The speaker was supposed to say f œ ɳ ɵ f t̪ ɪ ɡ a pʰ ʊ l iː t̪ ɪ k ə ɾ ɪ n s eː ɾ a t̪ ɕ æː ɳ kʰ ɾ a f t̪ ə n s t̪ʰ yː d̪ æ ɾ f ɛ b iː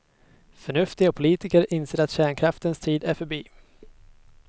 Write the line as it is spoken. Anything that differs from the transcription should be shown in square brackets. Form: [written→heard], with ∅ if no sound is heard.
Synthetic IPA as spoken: f œ ɳ ɵ f t̪ ɪ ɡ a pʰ ʊ l iː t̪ ɪ k ə ɾ ɪ n s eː ɾ a t̪ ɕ æː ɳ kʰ ɾ a f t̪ ə n s t̪ʰ [yː→iː] d̪ æ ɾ f [ɛ→œ] b iː